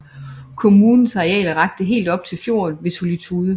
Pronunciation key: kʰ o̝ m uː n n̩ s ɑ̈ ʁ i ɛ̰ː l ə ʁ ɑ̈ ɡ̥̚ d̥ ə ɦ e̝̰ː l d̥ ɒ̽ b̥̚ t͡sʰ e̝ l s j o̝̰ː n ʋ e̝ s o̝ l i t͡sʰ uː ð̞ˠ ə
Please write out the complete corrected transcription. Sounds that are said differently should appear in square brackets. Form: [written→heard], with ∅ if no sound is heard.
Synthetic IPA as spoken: kʰ o̝ m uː n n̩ s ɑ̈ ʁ i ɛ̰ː l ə ʁ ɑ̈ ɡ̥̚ d̥ ə ɦ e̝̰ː l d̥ ɒ̽ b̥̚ t͡sʰ e̝ l [s→f] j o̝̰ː n ʋ e̝ s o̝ l i t͡sʰ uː ð̞ˠ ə